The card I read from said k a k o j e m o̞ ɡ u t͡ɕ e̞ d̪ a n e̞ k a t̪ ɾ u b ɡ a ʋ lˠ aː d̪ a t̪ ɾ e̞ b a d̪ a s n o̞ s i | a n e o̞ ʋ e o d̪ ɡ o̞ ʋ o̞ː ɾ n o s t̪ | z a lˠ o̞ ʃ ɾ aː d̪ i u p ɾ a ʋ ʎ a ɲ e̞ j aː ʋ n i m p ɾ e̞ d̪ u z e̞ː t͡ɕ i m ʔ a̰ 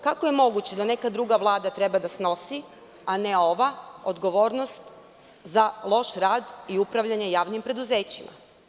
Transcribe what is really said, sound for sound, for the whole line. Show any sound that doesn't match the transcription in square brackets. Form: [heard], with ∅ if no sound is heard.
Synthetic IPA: k a k o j e m o̞ ɡ u t͡ɕ e̞ d̪ a n e̞ k a [d̪] ɾ u [∅] ɡ a ʋ lˠ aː d̪ a t̪ ɾ e̞ b a d̪ a s n o̞ s i | a n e o̞ ʋ [a] o d̪ ɡ o̞ ʋ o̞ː ɾ n o s t̪ | z a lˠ o̞ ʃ ɾ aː d̪ i u p ɾ a ʋ ʎ a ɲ e̞ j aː ʋ n i m p ɾ e̞ d̪ u z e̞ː t͡ɕ i m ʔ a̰